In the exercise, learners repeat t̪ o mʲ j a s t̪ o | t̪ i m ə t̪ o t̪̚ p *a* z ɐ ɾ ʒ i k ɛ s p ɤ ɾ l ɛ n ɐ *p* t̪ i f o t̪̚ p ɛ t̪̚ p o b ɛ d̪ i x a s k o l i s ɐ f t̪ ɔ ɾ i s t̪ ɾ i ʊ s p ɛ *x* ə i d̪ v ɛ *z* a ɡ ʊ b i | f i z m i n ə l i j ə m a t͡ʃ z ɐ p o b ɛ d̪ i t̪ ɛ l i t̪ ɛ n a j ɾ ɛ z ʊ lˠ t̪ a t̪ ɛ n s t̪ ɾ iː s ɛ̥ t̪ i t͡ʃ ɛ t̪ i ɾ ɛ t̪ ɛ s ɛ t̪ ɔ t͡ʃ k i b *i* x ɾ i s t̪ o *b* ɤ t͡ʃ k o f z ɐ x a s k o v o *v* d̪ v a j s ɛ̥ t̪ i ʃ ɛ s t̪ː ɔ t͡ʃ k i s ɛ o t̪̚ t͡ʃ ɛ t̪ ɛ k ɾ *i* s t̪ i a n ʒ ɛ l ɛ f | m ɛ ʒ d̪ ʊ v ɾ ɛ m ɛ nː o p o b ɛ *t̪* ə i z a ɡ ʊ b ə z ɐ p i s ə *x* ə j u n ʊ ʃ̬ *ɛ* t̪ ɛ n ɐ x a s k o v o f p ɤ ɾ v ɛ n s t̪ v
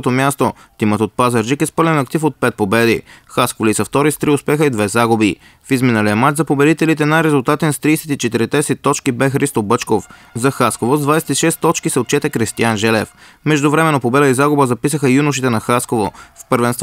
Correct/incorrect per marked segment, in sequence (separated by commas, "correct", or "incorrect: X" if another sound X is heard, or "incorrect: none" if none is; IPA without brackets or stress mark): correct, incorrect: k, correct, correct, incorrect: ɛ, correct, incorrect: z, correct, incorrect: d̪, correct, incorrect: i